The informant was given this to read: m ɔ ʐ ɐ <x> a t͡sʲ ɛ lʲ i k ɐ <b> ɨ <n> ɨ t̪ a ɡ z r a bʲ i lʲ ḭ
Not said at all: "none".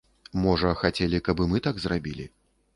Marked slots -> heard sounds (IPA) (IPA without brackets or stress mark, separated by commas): x, b, m